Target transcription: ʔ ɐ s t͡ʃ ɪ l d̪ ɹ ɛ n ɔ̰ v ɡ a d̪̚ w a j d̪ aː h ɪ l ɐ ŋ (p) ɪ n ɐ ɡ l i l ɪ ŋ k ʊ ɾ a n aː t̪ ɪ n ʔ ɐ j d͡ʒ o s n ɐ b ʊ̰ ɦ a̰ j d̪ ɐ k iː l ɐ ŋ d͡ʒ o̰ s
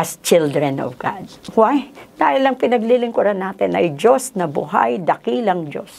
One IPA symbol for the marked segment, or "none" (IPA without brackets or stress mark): p